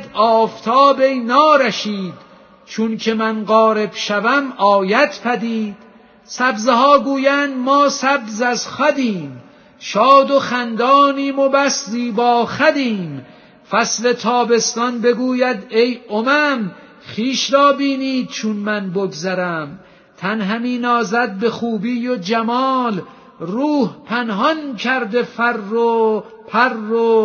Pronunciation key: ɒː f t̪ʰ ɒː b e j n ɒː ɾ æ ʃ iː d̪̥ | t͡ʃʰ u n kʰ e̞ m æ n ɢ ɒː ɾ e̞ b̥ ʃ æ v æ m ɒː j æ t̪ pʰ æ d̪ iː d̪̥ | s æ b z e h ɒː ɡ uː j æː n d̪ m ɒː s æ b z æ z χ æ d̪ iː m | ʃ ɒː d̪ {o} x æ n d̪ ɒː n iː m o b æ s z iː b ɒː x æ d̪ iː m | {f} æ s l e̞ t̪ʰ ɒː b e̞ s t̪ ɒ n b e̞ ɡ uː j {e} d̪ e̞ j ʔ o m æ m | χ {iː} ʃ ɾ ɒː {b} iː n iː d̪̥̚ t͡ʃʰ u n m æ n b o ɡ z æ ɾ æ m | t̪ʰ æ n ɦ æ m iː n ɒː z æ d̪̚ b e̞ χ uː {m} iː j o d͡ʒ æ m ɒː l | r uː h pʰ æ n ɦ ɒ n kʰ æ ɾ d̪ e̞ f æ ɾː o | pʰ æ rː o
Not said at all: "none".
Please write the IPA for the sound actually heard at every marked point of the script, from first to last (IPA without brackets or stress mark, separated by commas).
o, f, æ, iː, b, b